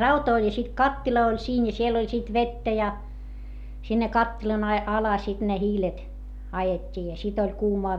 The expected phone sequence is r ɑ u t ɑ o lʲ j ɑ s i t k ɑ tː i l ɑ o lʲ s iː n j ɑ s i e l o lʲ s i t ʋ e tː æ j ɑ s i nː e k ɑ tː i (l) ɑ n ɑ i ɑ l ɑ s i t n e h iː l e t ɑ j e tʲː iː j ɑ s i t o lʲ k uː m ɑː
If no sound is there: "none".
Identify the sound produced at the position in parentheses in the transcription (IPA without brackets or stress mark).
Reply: l